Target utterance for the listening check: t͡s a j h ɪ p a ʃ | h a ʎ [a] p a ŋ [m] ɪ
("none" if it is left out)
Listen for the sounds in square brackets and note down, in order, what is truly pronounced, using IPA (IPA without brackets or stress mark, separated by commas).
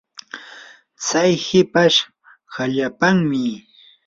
a, m